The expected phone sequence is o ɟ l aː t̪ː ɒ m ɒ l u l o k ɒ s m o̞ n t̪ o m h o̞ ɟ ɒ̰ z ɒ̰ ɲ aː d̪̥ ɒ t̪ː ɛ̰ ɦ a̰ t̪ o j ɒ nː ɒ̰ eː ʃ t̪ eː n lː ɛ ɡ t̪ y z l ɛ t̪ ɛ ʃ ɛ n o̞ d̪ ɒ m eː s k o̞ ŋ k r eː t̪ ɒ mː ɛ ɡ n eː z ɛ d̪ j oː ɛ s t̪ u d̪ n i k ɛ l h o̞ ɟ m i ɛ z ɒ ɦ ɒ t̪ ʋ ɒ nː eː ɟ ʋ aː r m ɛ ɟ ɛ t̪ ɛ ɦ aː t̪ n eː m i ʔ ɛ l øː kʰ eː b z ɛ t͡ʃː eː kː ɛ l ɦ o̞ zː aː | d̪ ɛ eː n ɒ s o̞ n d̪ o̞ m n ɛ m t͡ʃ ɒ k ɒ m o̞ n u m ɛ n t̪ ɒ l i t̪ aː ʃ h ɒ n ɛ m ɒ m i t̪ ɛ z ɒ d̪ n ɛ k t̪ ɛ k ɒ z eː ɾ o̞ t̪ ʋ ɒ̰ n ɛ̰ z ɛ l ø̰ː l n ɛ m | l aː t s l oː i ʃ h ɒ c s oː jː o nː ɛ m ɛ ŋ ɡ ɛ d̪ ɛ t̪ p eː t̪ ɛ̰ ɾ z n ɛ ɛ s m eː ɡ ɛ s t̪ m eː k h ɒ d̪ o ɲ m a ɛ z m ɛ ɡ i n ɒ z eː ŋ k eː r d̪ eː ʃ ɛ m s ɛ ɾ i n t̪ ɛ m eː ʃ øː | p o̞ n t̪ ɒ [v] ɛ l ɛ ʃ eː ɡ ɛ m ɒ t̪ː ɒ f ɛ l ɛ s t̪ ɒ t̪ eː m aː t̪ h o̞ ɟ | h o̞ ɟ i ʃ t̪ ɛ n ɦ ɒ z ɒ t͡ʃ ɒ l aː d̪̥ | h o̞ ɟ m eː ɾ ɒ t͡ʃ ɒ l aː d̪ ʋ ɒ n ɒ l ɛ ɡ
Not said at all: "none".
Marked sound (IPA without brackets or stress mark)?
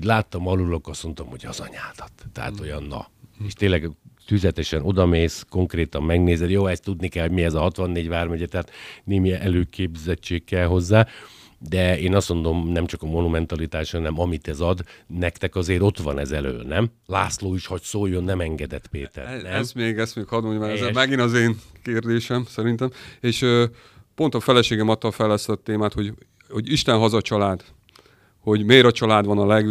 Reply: f